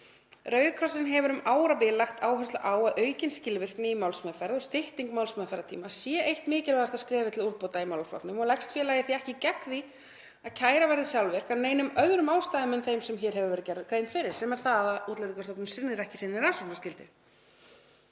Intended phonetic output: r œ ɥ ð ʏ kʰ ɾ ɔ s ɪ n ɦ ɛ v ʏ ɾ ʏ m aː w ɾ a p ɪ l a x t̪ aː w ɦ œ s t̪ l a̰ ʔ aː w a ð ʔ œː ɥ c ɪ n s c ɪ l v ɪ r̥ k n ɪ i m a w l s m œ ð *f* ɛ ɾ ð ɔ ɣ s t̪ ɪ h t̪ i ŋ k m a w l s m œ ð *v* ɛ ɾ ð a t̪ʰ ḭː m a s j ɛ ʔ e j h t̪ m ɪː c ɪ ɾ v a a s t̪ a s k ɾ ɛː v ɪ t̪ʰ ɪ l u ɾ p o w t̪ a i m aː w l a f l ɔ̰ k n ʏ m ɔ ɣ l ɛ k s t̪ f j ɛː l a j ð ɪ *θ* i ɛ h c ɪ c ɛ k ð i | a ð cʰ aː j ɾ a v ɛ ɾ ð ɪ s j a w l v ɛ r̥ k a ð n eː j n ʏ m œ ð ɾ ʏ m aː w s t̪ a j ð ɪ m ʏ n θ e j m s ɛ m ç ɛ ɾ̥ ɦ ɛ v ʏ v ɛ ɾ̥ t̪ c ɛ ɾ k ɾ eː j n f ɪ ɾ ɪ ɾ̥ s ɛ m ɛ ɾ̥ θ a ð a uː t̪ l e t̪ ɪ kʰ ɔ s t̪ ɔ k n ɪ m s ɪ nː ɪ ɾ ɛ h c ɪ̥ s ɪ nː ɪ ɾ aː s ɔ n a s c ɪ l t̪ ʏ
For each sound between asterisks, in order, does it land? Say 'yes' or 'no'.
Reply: yes, no, yes

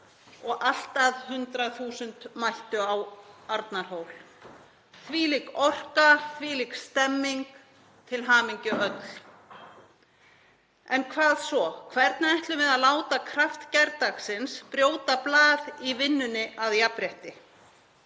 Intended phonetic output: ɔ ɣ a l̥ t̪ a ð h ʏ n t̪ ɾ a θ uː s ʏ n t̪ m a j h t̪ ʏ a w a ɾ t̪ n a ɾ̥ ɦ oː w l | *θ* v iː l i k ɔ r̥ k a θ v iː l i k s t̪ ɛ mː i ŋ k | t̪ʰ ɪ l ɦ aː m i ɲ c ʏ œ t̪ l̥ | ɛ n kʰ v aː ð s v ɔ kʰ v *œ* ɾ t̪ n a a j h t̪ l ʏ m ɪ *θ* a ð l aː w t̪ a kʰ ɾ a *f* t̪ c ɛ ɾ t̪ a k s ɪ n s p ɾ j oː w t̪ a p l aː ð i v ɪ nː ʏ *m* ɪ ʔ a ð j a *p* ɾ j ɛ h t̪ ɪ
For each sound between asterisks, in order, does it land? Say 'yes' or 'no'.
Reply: yes, no, no, yes, no, yes

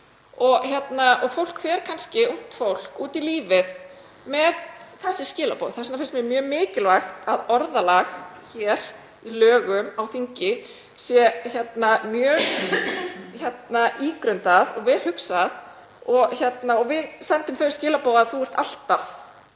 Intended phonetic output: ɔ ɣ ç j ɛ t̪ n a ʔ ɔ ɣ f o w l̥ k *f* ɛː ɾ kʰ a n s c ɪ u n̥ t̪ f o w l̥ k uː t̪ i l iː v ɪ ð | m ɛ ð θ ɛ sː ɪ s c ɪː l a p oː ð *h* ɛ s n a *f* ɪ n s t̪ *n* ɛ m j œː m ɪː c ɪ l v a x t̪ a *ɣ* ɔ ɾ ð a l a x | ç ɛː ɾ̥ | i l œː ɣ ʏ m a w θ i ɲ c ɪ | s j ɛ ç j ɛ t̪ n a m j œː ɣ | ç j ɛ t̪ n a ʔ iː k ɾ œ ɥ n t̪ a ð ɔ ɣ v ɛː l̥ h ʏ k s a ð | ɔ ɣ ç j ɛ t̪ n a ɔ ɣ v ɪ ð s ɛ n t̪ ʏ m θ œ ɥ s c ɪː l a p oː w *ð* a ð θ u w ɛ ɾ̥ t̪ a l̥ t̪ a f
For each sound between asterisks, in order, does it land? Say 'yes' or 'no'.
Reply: yes, no, yes, no, no, yes

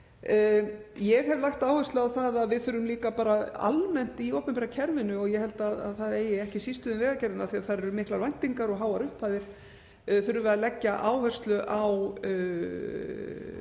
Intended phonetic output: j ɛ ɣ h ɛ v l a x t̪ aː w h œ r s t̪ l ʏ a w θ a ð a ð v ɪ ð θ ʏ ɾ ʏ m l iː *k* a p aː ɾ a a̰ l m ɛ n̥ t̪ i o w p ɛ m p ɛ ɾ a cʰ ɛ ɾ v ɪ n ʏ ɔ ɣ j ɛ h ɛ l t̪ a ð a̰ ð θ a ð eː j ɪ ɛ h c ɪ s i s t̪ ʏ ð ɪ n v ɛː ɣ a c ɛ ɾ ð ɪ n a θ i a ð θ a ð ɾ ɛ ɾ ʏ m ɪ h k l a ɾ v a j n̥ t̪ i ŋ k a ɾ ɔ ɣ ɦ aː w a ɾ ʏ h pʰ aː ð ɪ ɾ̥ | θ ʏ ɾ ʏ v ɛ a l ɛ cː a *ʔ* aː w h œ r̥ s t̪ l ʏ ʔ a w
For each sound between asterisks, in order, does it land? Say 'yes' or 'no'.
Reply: yes, yes

